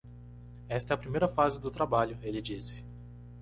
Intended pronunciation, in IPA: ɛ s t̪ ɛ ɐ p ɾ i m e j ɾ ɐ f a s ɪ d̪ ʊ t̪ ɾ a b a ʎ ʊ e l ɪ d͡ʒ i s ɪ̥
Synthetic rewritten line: ɛ s t̪ ɛ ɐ p ɾ i m e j ɾ ɐ f a z ɪ d̪ ʊ t̪ ɾ a b a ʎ ʊ e l ɪ d͡ʒ i s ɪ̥